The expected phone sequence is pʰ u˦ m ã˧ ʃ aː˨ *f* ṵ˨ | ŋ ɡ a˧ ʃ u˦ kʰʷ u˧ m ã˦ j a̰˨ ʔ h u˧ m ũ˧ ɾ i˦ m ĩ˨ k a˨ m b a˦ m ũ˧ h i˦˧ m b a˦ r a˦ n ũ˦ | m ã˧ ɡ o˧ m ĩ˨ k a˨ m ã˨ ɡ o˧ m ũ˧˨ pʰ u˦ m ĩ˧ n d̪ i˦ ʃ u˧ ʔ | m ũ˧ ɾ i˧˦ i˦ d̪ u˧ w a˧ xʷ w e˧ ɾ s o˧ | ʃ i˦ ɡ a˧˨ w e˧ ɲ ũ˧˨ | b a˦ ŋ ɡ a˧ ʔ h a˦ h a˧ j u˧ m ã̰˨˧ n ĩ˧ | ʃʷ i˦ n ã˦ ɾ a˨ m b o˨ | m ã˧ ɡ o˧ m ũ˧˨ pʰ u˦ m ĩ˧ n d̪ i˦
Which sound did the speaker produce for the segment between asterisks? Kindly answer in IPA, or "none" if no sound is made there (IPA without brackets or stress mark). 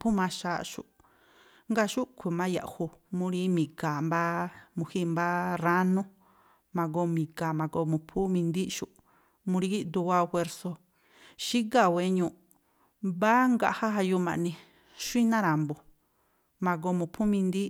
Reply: ʃ